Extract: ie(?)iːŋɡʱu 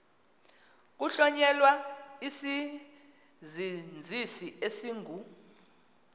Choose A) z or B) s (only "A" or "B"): B